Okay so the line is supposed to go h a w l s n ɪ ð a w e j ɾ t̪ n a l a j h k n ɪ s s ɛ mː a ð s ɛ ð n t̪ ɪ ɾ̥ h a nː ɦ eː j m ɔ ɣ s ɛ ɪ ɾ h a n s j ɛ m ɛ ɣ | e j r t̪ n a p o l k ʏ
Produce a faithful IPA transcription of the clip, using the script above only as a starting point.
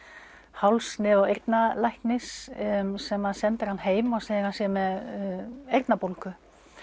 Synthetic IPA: h a w l s n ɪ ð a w e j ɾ t̪ n a l a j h k n ɪ s s ɛ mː a ð s ɛ n t̪ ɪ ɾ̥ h a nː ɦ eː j m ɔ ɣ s ɛ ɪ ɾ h a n s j ɛ m ɛ ð | e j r t̪ n a p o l k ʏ